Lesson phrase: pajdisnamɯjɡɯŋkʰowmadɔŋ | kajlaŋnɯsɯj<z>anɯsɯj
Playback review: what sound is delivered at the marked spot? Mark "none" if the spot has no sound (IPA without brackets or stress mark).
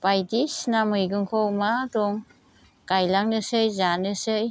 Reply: z